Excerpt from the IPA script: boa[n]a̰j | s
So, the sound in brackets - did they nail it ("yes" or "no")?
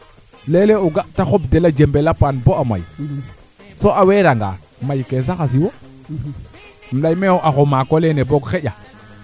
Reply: no